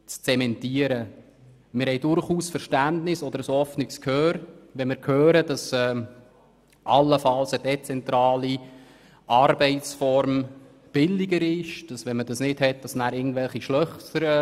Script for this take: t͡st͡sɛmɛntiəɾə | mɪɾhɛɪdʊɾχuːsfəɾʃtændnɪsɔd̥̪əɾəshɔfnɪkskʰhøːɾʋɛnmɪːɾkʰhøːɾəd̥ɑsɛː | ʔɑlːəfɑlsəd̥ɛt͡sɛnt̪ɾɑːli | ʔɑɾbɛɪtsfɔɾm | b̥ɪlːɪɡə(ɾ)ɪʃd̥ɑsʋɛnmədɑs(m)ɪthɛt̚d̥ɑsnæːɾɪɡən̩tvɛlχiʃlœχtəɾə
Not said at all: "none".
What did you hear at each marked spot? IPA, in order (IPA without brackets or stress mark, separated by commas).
ɾ, n